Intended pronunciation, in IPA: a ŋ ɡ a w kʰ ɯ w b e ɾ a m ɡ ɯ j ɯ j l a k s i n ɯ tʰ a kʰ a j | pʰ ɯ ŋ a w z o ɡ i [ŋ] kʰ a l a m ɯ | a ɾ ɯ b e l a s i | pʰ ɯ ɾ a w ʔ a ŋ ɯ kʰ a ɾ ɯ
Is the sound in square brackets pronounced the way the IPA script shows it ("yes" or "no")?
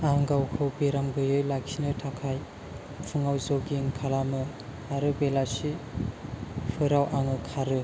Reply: yes